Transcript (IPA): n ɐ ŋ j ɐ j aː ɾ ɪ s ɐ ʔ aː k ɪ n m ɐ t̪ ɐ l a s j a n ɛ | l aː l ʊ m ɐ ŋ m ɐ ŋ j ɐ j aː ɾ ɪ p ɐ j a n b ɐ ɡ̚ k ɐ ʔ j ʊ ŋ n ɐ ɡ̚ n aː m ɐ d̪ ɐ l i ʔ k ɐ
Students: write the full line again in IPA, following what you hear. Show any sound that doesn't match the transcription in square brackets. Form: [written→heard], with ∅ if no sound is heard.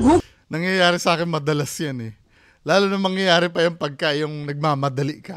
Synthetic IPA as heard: n ɐ ŋ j ɐ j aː ɾ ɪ s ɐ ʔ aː k ɪ n m ɐ [t̪→d̪] ɐ l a s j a n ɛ | l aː l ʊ [m→n] ɐ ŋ m ɐ ŋ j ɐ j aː ɾ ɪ p ɐ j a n [b→p] ɐ ɡ̚ k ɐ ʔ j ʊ ŋ n ɐ ɡ̚ [n→m] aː m ɐ d̪ ɐ l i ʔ k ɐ